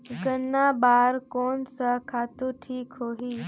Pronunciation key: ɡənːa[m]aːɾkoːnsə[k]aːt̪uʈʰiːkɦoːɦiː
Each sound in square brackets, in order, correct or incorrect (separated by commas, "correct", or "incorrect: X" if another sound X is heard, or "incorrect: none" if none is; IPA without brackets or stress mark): incorrect: b, incorrect: kʰ